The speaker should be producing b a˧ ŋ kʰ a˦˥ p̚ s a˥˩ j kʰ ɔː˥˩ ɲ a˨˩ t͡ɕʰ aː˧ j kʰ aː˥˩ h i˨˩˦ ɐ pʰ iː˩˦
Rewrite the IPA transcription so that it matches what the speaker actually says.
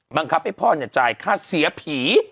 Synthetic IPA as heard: b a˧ ŋ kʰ a˦˥ p̚ h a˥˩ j pʰ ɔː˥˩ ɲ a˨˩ t͡ɕ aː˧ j kʰ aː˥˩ s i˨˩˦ ɐ pʰ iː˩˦